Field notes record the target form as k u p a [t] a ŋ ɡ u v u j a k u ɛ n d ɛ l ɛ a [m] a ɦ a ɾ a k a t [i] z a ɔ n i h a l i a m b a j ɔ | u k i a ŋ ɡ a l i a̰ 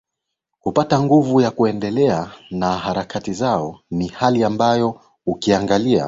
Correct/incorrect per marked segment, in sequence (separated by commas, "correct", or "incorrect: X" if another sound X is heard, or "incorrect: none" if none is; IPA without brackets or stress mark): correct, incorrect: n, correct